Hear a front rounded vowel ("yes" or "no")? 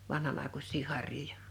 no